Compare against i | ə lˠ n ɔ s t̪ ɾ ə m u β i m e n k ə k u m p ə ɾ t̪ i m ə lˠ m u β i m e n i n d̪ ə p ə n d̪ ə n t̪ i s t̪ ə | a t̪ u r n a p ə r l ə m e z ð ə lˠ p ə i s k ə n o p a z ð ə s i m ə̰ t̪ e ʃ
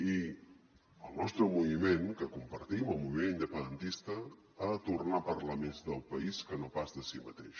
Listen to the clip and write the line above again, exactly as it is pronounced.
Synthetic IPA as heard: i | ə lˠ n ɔ s t̪ ɾ ə m u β i m e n k ə k u m p ə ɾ t̪ i m ə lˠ m u β i m e n i n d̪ ə p ə n d̪ ə n t̪ i s t̪ ə | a t̪ u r n a p ə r l ə m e z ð ə lˠ p ə i s k ə n o p a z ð ə s i m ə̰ t̪ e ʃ

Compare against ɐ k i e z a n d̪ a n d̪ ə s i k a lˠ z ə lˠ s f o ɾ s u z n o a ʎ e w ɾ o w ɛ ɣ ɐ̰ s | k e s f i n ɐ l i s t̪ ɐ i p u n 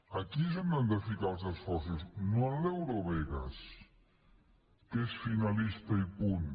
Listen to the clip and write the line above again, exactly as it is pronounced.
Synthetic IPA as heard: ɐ k i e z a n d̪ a n d̪ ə f i k a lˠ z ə s f ɔ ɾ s u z n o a l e w ɾ o β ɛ ɣ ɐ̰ s | k e s f i n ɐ l i s t̪ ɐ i p u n

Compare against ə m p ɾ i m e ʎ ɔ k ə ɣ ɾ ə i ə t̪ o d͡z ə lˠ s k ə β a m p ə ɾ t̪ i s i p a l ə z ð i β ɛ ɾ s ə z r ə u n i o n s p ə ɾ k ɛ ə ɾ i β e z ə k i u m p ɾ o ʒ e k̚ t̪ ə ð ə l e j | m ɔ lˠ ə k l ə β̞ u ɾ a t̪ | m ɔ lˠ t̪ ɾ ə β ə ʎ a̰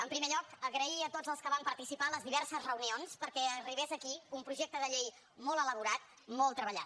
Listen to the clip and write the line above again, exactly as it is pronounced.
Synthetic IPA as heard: ə m p ɾ i m e ʎ ɔ k ə ɣ ɾ ə i ə t̪ o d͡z ə lˠ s k ə β a m p ə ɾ t̪ i s i p a l ə z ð i β ɛ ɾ s ə z r ə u n i o n s p ə ɾ k ɛ ə r i β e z ə k i u m p ɾ u ʒ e k̚ t̪ ə ð ə ʎ e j | m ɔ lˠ ə l ə β̞ u ɾ a t̪ | m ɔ lˠ t̪ ɾ ə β ə ʎ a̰

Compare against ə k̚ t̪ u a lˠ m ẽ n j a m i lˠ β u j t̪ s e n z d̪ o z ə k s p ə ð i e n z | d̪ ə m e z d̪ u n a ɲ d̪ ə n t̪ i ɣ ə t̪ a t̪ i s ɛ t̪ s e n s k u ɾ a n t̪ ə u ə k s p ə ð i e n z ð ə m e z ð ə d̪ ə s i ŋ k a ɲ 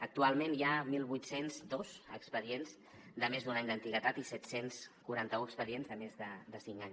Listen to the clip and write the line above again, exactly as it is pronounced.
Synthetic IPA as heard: ə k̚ t̪ u a lˠ m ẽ n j a m i lˠ β u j t̪ s e n z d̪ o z ə k s p ə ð i e n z | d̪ ə m e z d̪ u n a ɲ d̪ ə n t̪ i ɣ ə t̪ a t̪ i s ɛ t̪ s e n s k u ɾ a n t̪ ə u ə k s p ə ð i e n z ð ə m e z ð ə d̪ ə s i ŋ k a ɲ

